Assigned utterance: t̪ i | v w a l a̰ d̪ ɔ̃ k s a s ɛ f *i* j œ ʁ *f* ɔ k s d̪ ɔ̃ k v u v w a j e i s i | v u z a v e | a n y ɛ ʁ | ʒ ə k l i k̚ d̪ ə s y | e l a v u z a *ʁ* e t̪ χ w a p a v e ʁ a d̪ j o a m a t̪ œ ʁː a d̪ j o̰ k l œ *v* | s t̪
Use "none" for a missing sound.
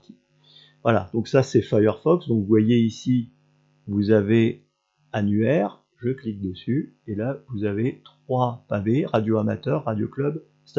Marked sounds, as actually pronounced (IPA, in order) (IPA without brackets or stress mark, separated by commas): a, f, v, b